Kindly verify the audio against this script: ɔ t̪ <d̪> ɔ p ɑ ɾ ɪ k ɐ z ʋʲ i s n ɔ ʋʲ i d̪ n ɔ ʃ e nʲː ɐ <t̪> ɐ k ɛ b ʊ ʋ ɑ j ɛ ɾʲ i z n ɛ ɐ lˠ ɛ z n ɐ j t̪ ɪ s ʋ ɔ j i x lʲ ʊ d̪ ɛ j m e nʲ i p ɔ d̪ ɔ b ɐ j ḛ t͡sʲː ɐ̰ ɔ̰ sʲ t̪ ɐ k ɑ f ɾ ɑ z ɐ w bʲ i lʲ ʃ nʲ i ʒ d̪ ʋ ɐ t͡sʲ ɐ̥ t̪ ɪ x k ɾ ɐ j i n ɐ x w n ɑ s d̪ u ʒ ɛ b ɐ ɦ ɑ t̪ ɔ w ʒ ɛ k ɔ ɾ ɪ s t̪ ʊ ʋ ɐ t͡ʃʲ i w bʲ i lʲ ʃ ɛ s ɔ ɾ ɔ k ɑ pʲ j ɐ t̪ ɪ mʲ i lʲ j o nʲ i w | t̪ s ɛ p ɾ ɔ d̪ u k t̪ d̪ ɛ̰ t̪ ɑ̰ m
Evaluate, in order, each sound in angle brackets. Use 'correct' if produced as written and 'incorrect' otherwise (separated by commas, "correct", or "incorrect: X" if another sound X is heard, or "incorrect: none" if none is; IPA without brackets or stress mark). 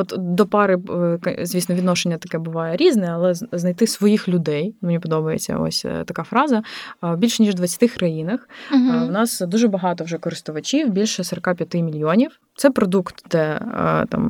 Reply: correct, correct